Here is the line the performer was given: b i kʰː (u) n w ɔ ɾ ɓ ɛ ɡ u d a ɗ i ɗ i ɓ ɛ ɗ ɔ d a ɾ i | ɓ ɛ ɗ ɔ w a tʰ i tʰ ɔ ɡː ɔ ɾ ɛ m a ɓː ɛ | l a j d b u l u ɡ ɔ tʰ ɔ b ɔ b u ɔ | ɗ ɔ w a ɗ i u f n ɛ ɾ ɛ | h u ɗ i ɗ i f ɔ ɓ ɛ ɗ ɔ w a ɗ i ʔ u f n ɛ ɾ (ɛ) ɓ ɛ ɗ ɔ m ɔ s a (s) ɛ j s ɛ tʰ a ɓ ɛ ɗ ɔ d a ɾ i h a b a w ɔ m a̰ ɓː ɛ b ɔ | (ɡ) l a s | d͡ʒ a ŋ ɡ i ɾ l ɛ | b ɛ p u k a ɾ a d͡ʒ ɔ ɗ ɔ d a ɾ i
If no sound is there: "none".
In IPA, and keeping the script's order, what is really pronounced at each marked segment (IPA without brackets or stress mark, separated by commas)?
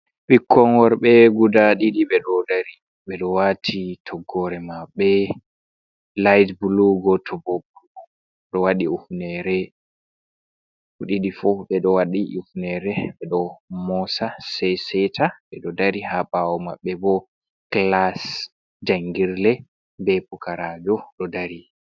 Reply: ɔ, ɛ, s, k